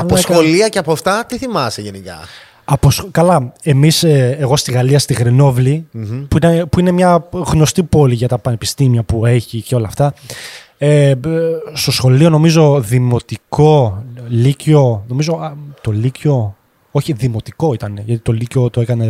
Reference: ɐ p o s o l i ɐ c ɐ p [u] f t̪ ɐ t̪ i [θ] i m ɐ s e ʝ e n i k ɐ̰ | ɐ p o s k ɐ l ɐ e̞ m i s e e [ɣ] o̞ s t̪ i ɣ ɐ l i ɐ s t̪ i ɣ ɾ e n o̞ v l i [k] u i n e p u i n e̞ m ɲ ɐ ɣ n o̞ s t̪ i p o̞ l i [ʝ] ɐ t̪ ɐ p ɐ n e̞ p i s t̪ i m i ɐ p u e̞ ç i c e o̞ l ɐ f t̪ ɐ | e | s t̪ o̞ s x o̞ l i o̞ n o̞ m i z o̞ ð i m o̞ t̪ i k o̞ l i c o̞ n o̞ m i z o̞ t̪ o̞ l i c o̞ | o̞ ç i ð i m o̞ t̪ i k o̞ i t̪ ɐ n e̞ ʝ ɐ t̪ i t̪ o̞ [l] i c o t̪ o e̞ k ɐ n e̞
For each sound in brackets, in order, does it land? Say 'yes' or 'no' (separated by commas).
no, yes, yes, no, yes, yes